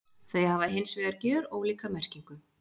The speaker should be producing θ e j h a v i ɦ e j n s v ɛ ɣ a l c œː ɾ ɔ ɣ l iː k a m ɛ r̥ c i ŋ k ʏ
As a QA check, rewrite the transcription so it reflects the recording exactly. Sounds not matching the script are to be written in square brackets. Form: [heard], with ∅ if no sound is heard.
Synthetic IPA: θ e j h a v [a] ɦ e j n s v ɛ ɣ a [ɾ] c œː ɾ ɔ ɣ l iː k a m ɛ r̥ c i ŋ k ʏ

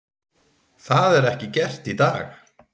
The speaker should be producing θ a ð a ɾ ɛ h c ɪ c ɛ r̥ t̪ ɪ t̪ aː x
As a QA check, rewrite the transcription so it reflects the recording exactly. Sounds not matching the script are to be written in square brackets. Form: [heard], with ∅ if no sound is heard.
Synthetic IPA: θ a ð [ɛ] ɾ ɛ h c ɪ c ɛ r̥ t̪ [i] t̪ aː x

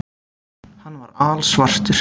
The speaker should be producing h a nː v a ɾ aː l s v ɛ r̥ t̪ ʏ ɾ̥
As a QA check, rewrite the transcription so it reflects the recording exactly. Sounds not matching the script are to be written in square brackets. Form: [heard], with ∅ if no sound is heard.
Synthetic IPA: h a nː v a ɾ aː l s v [a] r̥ t̪ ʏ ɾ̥

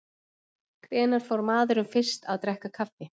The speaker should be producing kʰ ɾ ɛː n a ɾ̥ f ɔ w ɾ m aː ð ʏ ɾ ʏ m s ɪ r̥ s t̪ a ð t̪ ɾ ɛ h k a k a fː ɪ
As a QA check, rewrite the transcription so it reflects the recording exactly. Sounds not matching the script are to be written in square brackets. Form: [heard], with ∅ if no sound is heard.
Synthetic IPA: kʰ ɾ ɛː n a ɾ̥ f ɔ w ɾ m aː ð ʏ ɾ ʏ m [f] ɪ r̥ s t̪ a ð t̪ ɾ ɛ h k a [kʰ] a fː ɪ

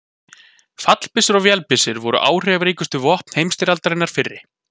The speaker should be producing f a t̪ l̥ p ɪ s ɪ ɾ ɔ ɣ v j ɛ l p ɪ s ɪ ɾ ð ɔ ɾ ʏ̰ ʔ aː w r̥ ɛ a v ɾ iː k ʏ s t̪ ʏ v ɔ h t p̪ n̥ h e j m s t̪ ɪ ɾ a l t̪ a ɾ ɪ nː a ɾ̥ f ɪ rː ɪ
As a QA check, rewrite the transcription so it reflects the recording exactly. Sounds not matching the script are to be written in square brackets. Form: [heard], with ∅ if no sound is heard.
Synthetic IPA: f a t̪ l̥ p ɪ s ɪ ɾ ɔ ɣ v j ɛ l p ɪ s ɪ ɾ [v] ɔ ɾ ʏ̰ ʔ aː w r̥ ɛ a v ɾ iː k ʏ s t̪ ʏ v ɔ h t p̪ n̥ h e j m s t̪ ɪ ɾ a l t̪ a ɾ ɪ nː a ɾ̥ f ɪ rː ɪ

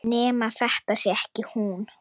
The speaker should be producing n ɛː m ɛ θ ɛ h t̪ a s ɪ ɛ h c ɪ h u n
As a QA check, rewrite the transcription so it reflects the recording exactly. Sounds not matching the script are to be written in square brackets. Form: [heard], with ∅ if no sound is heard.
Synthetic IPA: n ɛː m [a] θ ɛ h t̪ a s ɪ ɛ h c ɪ h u n

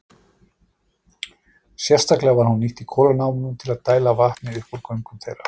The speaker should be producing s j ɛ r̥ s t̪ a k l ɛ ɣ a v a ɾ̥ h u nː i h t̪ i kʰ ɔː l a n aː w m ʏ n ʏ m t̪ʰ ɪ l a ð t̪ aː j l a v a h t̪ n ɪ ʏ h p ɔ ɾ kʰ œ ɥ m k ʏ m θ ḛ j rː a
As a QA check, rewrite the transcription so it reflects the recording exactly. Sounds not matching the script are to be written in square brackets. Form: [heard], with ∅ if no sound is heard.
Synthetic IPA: s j ɛ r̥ s t̪ a k l ɛ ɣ a v a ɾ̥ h u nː i h t̪ i kʰ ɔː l a n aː w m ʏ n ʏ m t̪ʰ ɪ l a ð t̪ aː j l a v a h t̪ n ɪ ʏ h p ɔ ɾ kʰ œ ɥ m k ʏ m θ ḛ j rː a

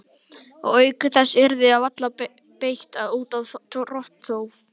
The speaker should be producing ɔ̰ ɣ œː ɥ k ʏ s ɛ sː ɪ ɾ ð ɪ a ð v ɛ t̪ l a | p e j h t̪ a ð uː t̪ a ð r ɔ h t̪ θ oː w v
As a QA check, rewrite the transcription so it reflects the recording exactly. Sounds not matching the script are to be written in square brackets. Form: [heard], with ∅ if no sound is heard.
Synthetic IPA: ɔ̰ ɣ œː ɥ k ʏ [θ] ɛ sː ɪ ɾ ð ɪ a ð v [a] t̪ l a | p e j h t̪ a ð uː t̪ a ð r ɔ h t̪ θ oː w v

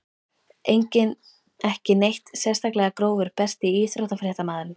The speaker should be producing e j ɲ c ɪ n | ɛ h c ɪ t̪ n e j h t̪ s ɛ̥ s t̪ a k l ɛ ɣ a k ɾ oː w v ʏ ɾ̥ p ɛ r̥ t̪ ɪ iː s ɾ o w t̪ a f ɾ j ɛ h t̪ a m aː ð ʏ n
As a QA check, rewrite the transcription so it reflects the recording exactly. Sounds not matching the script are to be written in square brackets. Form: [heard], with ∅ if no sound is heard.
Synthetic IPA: e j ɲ c ɪ n | ɛ h c ɪ [∅] n e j h t̪ s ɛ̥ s t̪ a k l ɛ ɣ a k ɾ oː w v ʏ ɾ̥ p ɛ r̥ t̪ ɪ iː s ɾ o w t̪ a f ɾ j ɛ h t̪ a m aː ð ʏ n

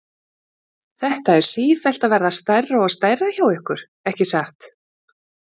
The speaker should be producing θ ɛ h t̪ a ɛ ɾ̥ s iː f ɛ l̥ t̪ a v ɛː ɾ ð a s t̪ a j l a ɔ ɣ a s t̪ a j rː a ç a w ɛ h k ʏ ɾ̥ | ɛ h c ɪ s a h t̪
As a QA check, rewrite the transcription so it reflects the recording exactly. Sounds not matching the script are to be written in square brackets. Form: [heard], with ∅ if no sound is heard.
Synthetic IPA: θ ɛ h t̪ a ɛ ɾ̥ s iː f ɛ l̥ t̪ a v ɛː ɾ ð a s t̪ a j [r] a ɔ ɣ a s t̪ a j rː a ç a w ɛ h k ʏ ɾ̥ | ɛ h c ɪ s a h t̪

